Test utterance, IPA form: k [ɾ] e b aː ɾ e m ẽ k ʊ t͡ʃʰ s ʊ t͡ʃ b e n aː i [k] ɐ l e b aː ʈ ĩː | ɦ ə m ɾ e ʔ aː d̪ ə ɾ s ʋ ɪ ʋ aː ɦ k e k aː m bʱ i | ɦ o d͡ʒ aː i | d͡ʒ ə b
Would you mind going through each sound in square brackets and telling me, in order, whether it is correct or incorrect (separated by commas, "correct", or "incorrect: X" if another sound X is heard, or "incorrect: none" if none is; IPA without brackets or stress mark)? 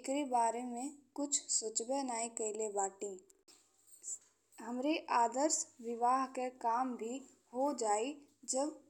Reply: correct, correct